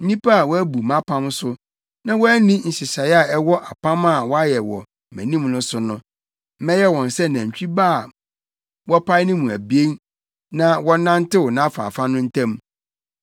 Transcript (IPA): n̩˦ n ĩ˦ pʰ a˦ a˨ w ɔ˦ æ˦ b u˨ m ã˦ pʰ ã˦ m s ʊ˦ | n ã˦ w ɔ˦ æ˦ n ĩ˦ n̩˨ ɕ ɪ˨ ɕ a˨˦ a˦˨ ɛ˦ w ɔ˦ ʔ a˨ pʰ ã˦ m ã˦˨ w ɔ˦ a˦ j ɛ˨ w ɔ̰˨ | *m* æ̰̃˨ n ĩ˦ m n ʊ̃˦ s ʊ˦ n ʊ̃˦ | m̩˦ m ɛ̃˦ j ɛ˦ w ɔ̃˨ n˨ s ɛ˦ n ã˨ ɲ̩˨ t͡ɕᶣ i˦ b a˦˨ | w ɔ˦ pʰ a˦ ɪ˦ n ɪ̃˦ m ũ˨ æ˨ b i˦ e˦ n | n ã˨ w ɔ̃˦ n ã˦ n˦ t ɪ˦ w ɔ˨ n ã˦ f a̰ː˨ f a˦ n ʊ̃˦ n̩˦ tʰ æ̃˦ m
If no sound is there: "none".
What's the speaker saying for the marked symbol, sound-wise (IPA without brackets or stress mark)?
m